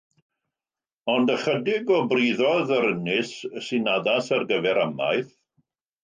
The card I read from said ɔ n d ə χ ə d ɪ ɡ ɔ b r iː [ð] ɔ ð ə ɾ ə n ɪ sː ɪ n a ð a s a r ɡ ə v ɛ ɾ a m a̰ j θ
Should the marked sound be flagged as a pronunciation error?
no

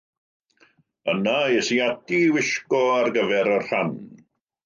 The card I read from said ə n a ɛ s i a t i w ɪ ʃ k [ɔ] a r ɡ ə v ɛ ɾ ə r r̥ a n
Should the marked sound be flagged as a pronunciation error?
no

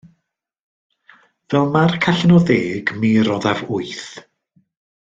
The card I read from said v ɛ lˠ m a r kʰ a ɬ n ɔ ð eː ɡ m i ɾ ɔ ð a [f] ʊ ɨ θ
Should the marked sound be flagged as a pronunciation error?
yes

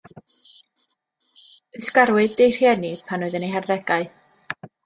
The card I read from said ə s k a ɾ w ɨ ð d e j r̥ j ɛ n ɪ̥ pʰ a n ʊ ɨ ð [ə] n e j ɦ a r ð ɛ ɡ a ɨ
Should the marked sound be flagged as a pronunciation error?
no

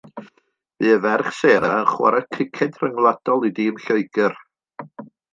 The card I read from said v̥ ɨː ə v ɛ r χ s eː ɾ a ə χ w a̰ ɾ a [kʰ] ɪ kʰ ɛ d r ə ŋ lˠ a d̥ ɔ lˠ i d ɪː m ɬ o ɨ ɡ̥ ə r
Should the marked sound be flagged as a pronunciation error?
no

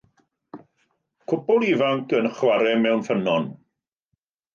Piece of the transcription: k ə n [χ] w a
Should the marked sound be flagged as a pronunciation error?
no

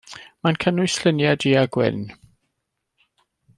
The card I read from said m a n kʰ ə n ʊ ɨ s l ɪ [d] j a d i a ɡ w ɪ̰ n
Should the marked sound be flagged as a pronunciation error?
yes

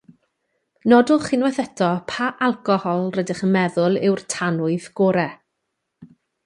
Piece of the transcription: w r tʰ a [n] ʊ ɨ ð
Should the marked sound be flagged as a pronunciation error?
no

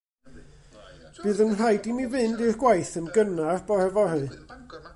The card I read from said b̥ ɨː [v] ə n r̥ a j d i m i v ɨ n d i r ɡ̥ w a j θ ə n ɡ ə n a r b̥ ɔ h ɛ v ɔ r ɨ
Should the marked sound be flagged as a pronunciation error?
yes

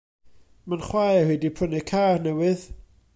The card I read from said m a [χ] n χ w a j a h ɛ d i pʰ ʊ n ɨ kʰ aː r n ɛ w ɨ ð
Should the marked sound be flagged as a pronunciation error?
yes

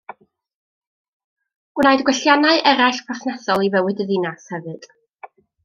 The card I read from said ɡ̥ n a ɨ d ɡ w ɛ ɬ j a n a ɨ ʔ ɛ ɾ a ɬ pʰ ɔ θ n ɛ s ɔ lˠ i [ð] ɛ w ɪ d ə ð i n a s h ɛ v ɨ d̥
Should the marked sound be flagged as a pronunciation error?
yes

